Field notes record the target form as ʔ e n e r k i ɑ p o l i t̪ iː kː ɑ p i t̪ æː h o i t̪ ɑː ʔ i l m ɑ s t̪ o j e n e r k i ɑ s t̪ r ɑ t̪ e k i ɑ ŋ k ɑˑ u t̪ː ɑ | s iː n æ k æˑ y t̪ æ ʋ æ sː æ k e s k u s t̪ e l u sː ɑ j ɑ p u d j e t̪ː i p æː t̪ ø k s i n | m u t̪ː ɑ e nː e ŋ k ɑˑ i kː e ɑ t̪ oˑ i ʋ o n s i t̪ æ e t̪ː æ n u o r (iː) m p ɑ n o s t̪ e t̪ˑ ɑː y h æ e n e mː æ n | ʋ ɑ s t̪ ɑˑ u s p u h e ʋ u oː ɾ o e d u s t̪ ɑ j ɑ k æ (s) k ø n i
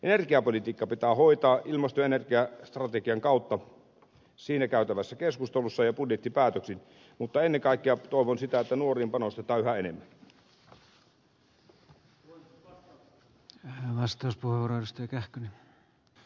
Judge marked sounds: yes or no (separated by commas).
yes, no